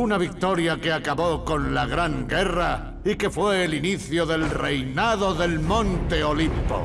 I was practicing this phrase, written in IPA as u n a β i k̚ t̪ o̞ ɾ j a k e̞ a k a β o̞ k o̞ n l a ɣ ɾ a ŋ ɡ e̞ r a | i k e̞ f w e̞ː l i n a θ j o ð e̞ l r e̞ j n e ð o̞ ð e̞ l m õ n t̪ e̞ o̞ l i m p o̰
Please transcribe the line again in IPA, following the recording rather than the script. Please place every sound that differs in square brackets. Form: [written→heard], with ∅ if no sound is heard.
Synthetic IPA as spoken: u n a β i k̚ t̪ o̞ ɾ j a k e̞ a k a β o̞ k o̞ n l a ɣ ɾ a ŋ ɡ e̞ r a | i k e̞ f w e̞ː l i n [a→i] θ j o ð e̞ l r e̞ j n [e→a] ð o̞ ð e̞ l m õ n t̪ e̞ o̞ l i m p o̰